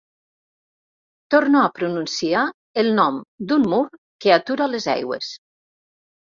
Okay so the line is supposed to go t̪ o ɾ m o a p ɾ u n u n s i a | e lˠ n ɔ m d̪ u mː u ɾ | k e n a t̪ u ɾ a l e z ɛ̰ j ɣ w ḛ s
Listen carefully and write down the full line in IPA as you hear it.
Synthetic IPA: t̪ o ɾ n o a p ɾ u n u n s i a | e lˠ n ɔ m d̪ u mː u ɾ | k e a t̪ u ɾ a l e z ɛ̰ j ɣ w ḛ s